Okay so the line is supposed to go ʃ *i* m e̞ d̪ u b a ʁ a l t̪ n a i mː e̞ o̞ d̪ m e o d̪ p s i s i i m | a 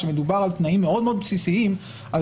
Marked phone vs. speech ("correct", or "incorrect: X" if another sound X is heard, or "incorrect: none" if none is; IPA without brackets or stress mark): incorrect: e